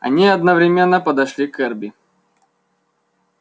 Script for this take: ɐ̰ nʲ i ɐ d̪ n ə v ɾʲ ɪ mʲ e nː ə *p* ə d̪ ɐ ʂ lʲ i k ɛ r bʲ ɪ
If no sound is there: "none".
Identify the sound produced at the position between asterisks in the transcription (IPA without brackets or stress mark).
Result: p